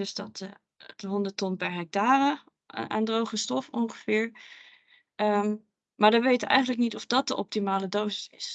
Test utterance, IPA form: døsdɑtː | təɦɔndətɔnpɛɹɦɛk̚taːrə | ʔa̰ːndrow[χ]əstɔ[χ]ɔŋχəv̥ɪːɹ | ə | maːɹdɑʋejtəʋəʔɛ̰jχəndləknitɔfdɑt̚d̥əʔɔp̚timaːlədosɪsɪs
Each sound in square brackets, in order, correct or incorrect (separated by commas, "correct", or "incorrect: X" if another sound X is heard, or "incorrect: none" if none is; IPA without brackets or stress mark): correct, incorrect: f